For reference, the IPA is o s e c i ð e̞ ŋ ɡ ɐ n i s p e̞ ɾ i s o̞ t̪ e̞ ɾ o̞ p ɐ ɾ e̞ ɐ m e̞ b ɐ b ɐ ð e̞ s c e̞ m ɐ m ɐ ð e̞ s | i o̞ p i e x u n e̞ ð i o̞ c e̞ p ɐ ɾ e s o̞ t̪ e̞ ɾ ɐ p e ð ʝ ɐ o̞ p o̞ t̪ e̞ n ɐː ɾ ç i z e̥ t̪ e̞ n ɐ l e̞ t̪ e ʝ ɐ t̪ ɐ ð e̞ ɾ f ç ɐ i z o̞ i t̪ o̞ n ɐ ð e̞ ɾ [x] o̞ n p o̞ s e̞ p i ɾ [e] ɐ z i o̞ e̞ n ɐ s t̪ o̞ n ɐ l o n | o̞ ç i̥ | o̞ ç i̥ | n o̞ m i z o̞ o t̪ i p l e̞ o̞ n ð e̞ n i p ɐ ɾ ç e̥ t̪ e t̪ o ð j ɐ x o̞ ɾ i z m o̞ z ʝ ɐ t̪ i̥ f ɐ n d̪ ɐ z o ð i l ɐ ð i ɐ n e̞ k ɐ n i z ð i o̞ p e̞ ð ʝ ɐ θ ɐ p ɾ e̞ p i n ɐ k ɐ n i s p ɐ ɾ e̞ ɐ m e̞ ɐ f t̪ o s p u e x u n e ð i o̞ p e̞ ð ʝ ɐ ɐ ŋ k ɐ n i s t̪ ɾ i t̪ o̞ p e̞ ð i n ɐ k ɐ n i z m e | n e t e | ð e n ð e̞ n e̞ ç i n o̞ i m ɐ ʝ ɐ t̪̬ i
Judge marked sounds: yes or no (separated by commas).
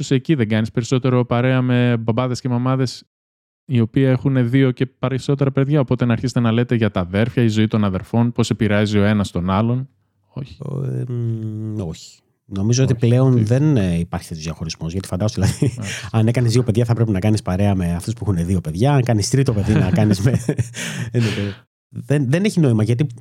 no, yes